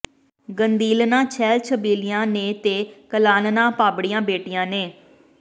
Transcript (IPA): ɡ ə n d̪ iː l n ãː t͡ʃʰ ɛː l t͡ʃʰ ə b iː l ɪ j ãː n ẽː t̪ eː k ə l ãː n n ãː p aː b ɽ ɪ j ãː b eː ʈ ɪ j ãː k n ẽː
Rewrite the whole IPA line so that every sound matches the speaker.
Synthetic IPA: ɡ ə n d̪ iː l n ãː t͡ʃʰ ɛː l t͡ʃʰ ə b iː l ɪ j ãː n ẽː t̪ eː k ə l aː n n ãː p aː b ɽ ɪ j ãː b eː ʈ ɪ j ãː n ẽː